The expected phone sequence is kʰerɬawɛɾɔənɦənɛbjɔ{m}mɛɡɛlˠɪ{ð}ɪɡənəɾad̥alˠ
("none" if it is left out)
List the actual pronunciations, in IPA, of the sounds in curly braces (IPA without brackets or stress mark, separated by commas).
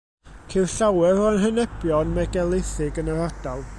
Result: n, θ